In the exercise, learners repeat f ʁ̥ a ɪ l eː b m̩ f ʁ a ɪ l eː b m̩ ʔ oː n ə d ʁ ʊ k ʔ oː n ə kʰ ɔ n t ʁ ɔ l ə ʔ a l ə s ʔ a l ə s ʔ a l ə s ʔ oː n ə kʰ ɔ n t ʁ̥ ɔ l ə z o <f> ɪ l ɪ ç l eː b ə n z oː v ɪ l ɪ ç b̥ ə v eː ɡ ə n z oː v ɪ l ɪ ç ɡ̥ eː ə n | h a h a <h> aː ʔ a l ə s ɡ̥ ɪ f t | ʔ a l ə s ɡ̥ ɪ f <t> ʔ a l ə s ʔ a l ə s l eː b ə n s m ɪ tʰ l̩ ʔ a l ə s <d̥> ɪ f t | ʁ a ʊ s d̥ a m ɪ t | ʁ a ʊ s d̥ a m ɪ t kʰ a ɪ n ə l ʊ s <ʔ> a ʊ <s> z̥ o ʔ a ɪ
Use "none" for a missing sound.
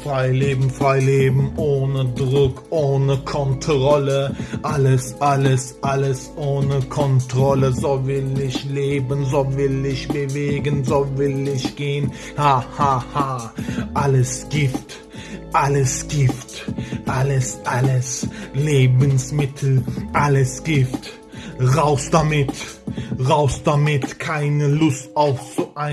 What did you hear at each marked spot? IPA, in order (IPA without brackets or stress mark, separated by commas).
v, h, t, ɡ̥, t, f